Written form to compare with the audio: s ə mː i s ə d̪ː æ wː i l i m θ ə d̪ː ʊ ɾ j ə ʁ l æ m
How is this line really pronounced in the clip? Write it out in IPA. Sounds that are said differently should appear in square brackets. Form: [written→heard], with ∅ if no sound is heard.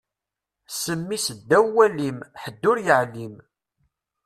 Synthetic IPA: s ə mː i s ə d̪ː æ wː [i→æ] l i m [θ→ħ] ə d̪ː ʊ ɾ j ə [ʁ→ʕ] l [æ→i] m